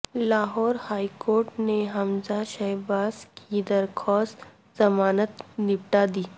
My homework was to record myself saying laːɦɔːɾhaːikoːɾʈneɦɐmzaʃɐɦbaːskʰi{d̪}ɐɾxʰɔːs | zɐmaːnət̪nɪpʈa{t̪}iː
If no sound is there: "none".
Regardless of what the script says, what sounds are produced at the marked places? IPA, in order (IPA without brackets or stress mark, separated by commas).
d̪, d̪